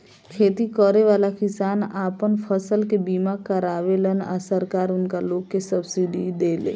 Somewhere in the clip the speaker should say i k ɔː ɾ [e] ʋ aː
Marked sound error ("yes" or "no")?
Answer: no